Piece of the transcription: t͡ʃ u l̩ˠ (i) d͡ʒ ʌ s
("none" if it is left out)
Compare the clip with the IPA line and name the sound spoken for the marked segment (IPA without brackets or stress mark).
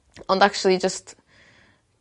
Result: i